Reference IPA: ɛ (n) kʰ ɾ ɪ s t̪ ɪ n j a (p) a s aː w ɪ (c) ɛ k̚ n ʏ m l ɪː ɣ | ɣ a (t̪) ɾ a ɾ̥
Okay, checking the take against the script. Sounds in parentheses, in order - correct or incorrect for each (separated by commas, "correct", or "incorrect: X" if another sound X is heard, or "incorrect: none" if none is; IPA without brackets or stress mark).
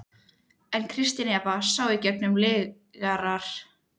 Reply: correct, correct, correct, incorrect: none